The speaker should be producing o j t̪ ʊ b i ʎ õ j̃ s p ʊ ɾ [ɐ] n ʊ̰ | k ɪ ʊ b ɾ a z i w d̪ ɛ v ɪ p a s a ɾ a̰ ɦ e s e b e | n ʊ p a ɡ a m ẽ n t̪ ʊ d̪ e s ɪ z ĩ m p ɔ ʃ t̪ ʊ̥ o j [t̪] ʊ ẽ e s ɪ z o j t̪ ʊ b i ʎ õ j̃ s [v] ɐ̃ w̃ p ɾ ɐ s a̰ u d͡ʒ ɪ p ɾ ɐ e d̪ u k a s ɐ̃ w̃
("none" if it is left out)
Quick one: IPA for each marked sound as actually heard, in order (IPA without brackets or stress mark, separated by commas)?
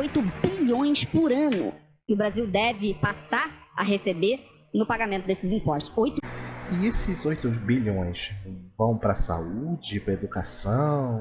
ɐ̃, t̪, v